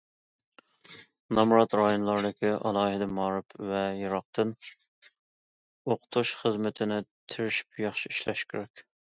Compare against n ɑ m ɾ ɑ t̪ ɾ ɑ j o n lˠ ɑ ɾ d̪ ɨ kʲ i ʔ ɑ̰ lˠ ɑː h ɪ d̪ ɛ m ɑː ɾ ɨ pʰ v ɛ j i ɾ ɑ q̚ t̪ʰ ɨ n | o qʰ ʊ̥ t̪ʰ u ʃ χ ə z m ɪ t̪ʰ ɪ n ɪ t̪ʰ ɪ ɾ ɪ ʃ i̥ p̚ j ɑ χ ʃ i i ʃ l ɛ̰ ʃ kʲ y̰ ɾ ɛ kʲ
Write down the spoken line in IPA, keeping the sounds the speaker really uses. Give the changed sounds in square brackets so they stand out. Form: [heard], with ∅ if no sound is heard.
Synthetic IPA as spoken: n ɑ m ɾ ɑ t̪ ɾ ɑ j o n lˠ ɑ ɾ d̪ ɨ kʲ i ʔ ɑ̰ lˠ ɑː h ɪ d̪ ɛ m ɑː ɾ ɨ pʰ v ɛ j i ɾ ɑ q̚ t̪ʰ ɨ n | o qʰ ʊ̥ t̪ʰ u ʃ χ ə z m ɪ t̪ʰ ɪ n ɪ t̪ʰ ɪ ɾ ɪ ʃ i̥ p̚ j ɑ χ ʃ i i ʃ l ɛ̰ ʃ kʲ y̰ ɾ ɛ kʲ